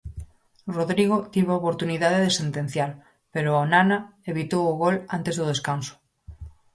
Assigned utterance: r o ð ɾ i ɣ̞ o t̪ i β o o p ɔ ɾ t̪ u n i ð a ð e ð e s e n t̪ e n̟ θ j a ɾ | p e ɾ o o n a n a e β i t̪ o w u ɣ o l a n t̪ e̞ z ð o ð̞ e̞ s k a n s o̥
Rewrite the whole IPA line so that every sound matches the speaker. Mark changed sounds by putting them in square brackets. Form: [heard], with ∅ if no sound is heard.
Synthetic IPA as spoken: r o ð ɾ i ɣ̞ o t̪ i β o o p [o] ɾ t̪ u n i ð a ð e ð e s e n t̪ e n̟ θ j a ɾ | p e ɾ o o n a n a e β i t̪ o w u ɣ o l a n t̪ e̞ z ð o ð̞ e̞ s k a n s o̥